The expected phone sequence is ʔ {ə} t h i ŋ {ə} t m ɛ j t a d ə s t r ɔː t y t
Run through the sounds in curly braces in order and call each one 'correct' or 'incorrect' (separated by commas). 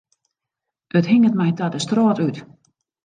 correct, correct